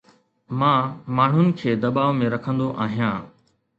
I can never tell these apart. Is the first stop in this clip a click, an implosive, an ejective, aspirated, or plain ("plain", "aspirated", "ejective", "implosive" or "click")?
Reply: aspirated